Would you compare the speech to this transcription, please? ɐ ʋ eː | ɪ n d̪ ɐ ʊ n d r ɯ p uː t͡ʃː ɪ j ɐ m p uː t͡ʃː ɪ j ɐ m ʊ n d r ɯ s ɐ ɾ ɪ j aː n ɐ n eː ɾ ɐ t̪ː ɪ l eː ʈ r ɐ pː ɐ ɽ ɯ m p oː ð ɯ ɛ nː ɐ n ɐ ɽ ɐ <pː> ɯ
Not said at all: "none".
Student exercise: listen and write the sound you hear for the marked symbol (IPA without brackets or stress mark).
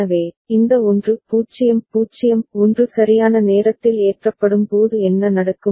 kː